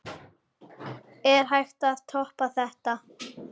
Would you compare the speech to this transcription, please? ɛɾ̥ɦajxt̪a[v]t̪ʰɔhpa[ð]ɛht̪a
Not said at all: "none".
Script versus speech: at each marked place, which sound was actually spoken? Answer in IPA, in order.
ð, θ

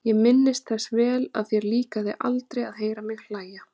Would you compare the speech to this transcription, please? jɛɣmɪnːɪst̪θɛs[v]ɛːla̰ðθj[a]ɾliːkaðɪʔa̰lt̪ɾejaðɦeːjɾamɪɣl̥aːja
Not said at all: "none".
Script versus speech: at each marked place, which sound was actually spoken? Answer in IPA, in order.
v, ɛ

